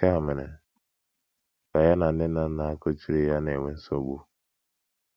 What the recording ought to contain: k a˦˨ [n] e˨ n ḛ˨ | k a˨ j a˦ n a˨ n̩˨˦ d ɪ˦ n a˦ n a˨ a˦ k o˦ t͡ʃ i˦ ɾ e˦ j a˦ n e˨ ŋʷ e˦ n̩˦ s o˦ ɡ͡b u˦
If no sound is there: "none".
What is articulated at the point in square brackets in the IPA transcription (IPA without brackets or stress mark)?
m